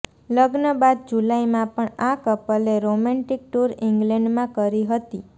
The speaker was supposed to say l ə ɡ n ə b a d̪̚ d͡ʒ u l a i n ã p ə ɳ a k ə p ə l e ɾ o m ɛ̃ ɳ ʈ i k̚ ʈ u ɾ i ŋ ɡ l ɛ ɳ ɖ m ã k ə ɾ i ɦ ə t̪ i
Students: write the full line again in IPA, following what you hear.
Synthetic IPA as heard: l ə ɡ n ə b a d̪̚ d͡ʒ u l a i m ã p ə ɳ a k ə p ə l e ɾ o m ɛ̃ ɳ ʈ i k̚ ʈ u ɾ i ŋ ɡ l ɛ ɳ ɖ m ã k ə ɾ i ɦ ə t̪ i